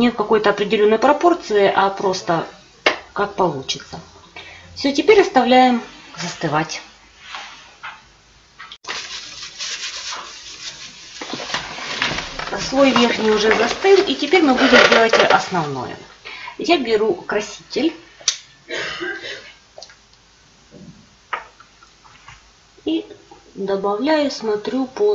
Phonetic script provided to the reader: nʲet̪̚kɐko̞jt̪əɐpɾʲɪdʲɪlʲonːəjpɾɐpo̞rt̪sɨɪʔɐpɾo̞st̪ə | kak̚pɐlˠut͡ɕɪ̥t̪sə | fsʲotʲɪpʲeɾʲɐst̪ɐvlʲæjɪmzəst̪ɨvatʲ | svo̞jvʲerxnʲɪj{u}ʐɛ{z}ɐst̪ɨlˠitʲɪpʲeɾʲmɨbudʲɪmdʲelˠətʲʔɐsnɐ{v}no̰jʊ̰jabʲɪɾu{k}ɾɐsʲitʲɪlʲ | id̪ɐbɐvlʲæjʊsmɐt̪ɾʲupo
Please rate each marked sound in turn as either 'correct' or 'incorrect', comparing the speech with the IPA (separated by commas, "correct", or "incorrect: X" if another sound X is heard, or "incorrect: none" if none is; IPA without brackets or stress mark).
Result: incorrect: ʊ, correct, correct, correct